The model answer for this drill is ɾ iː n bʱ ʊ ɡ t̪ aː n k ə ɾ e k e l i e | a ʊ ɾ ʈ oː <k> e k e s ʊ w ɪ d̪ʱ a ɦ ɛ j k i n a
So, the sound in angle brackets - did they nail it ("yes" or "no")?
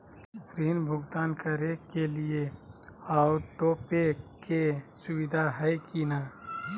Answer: no